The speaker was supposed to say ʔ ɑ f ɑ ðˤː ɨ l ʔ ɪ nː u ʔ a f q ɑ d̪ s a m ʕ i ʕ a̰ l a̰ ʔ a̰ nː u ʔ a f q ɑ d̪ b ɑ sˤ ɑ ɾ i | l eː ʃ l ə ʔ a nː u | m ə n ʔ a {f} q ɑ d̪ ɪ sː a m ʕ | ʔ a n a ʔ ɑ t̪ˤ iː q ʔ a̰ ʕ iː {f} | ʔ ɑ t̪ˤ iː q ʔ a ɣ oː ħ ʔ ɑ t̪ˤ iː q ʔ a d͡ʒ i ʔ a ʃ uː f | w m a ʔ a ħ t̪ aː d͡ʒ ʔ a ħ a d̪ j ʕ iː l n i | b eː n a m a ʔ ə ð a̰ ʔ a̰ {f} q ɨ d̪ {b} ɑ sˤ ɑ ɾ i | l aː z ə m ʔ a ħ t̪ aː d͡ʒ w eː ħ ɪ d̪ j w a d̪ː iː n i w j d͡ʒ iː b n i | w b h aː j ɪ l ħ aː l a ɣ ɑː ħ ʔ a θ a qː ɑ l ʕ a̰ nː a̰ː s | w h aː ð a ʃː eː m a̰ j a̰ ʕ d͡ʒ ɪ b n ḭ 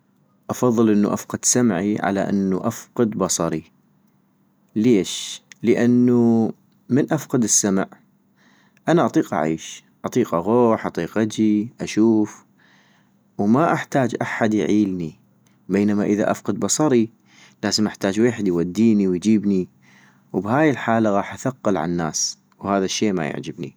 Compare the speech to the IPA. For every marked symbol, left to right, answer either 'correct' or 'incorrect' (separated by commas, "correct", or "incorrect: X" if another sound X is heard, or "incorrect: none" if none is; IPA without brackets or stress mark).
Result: correct, incorrect: ʃ, correct, correct